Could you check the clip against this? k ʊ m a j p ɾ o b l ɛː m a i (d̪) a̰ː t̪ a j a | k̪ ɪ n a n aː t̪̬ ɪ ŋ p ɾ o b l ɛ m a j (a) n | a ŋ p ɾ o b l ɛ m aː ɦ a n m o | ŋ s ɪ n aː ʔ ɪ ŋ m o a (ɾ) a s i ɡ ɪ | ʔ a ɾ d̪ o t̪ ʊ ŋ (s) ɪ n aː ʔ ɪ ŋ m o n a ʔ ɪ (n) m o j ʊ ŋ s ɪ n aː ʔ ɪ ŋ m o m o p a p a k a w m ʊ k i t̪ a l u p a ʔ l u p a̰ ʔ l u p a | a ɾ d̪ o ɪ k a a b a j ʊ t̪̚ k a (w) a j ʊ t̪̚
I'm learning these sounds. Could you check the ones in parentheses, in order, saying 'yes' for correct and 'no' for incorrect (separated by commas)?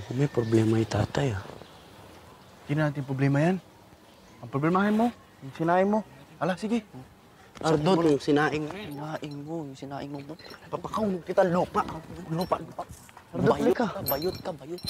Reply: no, yes, no, yes, no, no